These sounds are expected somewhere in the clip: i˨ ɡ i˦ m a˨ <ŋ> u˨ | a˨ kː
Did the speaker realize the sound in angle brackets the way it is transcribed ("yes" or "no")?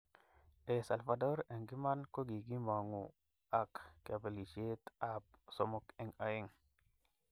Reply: yes